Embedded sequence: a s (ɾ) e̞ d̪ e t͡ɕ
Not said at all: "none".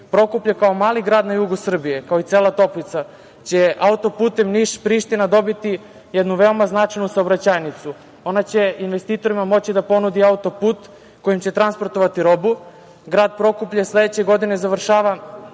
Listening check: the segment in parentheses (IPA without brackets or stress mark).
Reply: l